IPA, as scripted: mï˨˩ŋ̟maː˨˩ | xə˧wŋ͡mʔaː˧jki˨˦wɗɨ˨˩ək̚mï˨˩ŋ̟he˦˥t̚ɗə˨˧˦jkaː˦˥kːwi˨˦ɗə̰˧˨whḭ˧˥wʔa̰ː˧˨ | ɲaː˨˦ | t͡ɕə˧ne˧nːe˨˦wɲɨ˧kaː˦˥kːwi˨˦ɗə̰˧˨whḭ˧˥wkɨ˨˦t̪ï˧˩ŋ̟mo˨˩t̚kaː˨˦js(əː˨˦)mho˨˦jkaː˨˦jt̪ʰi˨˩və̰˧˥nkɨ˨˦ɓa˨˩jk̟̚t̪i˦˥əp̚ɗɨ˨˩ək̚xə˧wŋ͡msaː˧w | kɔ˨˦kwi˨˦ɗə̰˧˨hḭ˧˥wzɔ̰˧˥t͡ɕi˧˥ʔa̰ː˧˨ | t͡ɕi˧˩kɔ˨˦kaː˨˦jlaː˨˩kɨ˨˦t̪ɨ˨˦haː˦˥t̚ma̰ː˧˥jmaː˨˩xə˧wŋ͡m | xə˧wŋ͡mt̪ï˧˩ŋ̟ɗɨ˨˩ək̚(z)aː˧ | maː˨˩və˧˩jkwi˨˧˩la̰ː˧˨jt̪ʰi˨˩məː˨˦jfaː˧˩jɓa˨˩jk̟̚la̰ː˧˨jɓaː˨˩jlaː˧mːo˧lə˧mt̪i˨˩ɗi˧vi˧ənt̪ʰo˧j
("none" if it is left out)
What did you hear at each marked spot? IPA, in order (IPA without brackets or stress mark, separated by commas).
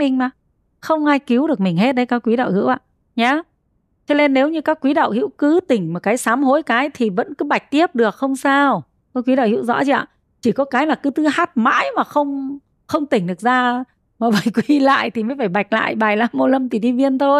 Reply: aː˨˦, z